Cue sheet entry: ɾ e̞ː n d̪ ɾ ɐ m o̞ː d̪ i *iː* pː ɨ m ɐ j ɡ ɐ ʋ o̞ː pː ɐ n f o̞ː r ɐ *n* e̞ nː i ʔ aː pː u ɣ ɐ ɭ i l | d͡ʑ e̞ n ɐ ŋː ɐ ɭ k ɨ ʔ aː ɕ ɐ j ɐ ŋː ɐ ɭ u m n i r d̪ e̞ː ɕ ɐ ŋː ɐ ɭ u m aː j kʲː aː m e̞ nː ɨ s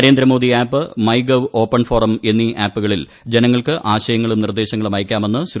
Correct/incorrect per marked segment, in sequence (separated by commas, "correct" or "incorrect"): incorrect, incorrect